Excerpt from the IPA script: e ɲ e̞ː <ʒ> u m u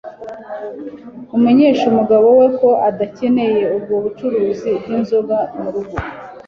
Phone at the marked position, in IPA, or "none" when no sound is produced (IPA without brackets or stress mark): ʃ